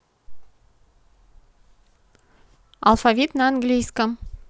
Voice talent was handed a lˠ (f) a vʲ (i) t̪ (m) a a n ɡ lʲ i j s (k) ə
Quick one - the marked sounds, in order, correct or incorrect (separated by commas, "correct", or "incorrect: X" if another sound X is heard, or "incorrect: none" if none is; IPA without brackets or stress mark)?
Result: correct, correct, incorrect: n, correct